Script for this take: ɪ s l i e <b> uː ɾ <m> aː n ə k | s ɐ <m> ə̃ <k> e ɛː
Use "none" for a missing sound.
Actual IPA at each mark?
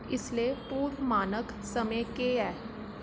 p, m, m, k

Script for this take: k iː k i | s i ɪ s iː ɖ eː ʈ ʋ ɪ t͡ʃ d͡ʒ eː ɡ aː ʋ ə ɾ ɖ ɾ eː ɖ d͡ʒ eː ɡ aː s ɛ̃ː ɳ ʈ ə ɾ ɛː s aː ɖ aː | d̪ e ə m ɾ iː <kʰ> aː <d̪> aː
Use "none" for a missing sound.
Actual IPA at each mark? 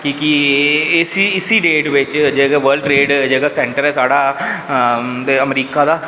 k, d̪

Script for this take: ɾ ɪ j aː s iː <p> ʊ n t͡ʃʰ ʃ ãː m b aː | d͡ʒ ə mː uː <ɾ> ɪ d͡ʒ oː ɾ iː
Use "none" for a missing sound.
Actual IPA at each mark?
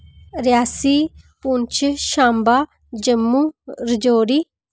p, ɾ

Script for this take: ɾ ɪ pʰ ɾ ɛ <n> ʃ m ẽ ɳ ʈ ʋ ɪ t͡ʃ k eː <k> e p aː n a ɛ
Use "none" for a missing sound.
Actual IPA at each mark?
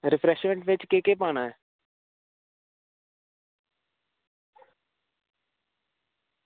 none, k

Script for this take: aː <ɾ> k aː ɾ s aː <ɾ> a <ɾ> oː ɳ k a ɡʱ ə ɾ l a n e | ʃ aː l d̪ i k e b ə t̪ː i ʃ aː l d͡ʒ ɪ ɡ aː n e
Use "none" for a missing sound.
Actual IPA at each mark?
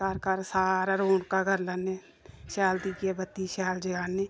ɾ, ɾ, ɾ

